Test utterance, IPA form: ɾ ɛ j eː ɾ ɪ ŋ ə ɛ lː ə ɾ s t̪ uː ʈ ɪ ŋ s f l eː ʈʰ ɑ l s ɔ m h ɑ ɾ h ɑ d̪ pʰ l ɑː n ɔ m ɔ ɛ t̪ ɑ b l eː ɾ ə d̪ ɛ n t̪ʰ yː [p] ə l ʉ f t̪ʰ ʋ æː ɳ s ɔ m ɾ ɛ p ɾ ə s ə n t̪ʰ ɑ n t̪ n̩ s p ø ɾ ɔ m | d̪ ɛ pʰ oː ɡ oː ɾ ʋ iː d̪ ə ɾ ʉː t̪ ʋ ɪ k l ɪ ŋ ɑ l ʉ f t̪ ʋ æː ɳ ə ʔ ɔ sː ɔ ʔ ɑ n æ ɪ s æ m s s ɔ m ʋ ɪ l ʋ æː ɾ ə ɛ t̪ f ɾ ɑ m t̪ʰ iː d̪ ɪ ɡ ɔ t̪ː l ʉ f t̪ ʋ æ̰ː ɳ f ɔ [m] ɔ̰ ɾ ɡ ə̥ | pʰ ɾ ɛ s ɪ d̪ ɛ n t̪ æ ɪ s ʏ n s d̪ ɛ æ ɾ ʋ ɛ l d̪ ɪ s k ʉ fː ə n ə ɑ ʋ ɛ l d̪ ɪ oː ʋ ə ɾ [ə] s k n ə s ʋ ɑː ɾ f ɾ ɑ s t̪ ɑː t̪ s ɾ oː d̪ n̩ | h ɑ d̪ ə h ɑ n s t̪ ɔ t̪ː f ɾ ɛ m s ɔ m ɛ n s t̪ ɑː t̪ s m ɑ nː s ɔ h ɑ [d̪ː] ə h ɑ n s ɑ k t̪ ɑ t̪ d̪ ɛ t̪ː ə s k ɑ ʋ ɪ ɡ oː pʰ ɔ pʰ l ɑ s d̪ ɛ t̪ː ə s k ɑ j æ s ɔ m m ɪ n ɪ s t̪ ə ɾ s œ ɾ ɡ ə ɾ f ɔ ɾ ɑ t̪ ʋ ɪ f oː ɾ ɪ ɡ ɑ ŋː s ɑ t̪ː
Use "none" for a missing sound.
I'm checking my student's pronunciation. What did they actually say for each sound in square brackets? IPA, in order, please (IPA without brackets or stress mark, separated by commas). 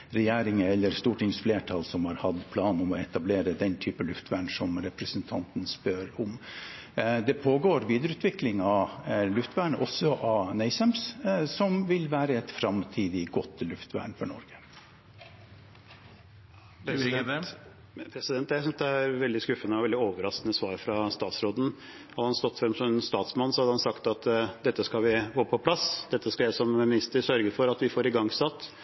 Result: p, ɳ, ɑ, d̪